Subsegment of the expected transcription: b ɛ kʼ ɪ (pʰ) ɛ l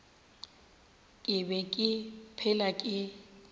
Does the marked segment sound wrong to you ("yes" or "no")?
no